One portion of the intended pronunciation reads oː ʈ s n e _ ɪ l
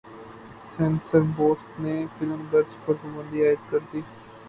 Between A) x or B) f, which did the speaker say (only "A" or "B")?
B